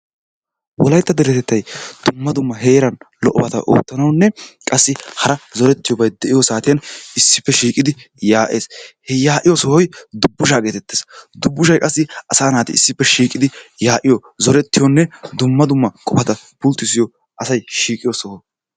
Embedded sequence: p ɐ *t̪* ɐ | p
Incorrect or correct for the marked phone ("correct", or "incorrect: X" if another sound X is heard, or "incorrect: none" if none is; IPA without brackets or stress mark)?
correct